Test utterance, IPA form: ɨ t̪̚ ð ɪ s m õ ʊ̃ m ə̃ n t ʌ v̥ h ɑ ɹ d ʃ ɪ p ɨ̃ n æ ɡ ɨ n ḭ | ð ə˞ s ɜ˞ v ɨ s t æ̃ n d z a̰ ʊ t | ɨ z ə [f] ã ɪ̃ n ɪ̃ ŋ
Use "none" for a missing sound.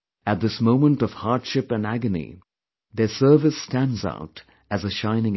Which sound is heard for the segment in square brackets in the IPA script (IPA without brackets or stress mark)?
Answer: ʃ